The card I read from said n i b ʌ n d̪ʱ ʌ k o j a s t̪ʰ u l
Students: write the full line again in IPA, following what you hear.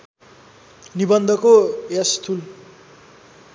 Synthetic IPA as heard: n i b ʌ n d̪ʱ ʌ k o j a s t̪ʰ u l